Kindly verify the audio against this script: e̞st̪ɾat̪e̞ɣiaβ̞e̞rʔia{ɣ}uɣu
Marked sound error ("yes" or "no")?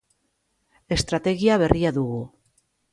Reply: yes